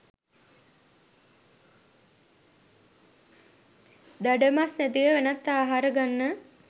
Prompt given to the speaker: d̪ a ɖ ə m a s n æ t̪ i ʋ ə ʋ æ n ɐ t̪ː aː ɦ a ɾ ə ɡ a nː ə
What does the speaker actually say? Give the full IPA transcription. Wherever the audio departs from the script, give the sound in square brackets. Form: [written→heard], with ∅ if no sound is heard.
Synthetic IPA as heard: d̪ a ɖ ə m a s n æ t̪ i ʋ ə ʋ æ n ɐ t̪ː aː ɦ a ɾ ə ɡ a nː ə